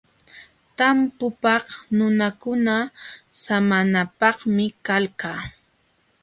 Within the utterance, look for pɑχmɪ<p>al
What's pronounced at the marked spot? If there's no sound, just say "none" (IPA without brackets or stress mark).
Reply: k